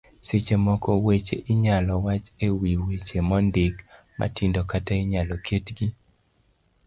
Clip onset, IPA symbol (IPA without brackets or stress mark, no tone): s